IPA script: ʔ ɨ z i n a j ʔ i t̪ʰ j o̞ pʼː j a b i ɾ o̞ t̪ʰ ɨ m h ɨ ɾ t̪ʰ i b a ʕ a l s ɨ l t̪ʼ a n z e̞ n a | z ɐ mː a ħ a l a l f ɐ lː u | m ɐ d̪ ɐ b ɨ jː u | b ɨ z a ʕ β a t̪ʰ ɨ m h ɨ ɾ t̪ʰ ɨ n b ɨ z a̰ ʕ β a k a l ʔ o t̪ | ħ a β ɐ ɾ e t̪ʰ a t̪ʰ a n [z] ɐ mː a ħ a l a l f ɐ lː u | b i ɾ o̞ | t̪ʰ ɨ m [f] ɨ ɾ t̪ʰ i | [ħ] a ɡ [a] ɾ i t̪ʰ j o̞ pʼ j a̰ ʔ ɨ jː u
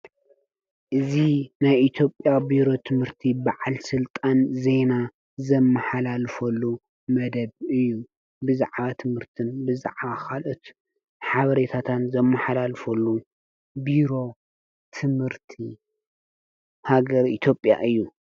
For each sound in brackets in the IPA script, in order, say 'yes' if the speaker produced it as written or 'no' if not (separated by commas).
yes, no, no, no